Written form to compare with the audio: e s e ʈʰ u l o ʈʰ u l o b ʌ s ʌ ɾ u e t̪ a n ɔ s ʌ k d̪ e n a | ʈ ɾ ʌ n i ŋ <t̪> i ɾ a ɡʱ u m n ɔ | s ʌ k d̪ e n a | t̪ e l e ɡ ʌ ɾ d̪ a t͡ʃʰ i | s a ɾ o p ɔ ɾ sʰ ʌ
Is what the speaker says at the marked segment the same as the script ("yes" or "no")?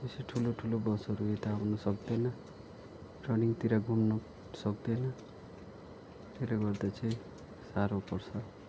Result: yes